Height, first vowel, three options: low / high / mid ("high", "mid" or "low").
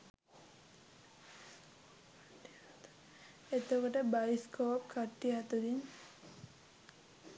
mid